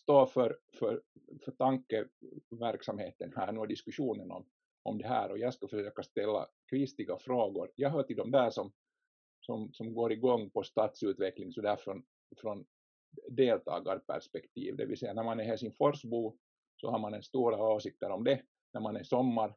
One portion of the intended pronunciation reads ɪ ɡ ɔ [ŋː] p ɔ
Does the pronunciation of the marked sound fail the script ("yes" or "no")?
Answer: no